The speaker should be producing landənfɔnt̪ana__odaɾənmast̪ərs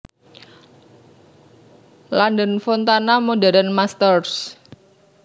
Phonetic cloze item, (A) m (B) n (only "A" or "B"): A